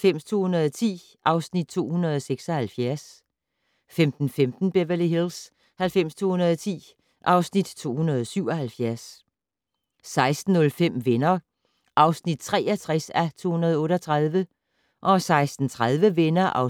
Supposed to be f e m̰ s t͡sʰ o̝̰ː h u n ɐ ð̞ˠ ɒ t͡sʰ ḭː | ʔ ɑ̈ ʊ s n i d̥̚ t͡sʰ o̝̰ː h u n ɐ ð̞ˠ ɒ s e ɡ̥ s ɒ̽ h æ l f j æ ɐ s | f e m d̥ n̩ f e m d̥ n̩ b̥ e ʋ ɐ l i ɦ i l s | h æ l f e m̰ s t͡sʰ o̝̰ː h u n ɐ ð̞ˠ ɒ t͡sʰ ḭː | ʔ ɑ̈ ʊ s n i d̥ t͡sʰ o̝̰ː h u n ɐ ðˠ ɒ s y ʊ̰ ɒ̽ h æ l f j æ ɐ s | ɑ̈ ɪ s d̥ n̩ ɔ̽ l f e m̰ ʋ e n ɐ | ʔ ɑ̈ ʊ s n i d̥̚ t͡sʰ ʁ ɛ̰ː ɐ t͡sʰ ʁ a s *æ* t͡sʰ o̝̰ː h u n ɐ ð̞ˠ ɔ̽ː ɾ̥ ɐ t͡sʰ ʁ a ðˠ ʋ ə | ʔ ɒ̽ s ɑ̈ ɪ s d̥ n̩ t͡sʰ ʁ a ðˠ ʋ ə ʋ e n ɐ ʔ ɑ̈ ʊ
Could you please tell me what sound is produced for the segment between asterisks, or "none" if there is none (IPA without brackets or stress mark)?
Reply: æ